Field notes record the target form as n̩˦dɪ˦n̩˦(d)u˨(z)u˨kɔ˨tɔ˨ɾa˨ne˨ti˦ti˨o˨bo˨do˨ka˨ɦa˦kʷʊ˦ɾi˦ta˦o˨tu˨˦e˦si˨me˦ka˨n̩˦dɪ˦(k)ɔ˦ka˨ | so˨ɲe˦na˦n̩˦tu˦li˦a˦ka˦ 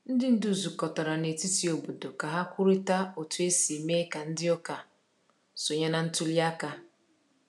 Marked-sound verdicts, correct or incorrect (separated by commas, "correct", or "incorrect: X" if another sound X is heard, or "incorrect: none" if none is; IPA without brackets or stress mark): correct, correct, incorrect: none